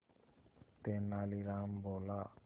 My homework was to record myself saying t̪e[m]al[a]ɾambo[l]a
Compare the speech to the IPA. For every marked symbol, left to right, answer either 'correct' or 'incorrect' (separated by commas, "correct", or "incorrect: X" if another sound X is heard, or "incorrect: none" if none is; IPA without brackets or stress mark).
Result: incorrect: n, incorrect: i, correct